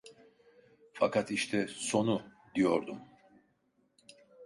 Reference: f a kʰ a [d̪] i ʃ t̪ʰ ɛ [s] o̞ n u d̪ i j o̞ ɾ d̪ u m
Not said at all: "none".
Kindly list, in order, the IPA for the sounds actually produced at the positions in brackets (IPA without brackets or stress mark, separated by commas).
t̪, s